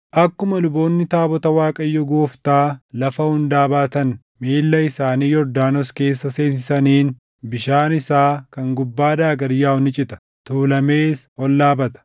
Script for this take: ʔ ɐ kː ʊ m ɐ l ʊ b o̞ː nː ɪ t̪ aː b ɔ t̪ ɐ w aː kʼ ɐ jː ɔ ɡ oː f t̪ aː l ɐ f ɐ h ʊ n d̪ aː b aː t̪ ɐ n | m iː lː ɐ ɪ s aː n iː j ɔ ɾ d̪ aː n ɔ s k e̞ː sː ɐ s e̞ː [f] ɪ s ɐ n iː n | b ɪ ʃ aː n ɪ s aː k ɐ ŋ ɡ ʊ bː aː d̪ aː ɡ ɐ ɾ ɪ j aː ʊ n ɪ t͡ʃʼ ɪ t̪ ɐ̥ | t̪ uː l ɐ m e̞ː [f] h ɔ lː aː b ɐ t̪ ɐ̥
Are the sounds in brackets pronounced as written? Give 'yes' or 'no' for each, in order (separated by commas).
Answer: no, no